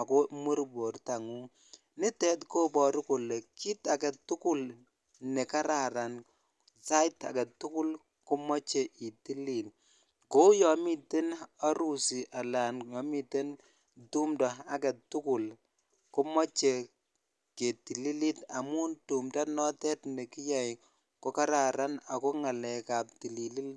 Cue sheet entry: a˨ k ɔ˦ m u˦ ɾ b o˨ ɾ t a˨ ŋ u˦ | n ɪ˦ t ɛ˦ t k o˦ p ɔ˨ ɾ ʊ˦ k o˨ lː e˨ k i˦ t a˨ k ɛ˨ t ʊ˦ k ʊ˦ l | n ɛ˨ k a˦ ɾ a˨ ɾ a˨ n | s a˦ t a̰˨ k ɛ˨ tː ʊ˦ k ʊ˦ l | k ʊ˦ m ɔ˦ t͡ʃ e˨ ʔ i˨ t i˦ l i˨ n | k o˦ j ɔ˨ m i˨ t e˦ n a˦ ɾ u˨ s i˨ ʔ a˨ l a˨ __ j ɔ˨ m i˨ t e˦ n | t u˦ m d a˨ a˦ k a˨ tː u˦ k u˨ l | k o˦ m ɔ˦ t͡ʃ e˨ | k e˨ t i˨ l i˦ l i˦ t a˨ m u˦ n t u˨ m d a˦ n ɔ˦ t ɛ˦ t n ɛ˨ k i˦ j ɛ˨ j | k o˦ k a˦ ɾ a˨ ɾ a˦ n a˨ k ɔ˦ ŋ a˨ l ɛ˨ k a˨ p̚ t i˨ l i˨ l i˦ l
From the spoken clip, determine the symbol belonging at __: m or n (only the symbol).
n